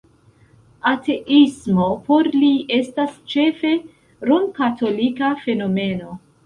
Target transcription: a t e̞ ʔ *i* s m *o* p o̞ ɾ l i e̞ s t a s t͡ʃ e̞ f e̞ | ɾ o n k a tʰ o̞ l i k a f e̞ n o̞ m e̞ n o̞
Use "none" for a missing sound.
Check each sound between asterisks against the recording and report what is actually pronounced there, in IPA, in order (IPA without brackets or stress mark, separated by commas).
i, o